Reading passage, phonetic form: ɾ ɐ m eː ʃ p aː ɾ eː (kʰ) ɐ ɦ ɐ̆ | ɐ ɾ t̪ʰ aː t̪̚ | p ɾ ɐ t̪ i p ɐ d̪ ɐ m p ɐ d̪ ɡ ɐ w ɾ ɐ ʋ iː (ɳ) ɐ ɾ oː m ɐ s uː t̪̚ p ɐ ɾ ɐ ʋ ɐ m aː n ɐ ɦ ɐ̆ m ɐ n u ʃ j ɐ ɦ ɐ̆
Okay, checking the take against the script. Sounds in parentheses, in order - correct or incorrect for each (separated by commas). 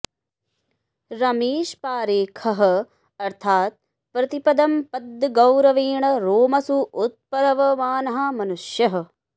correct, correct